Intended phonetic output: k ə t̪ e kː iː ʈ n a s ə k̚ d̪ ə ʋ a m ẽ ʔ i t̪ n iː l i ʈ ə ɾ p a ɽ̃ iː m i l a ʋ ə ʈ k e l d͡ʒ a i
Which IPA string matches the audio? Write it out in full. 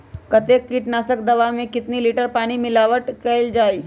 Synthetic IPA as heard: k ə t̪ e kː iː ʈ n a s ə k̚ d̪ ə ʋ a m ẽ k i t̪ n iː l i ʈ ə ɾ p a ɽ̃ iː m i l a ʋ ə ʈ k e l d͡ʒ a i